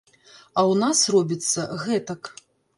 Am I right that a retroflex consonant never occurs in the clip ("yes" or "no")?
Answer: yes